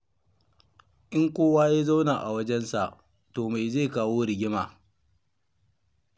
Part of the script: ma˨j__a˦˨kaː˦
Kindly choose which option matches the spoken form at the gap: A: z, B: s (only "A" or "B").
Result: A